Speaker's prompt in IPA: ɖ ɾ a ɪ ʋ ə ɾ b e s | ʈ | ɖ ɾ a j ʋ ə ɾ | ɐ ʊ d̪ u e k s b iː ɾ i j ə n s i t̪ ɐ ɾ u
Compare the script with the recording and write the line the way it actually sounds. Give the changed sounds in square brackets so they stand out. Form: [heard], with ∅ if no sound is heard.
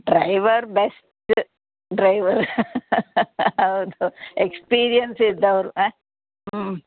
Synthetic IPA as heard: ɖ ɾ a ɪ ʋ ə ɾ b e s | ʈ | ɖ ɾ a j ʋ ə ɾ | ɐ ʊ d̪ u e k s [p] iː ɾ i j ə n s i [d̪] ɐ ɾ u